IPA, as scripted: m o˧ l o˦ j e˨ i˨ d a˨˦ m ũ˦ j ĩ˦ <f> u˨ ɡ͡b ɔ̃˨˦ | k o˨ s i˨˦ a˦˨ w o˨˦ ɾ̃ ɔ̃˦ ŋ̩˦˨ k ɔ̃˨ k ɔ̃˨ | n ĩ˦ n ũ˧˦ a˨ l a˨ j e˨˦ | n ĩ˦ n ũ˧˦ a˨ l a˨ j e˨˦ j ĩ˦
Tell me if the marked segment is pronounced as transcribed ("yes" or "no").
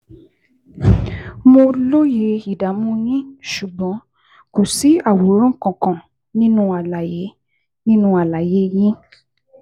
no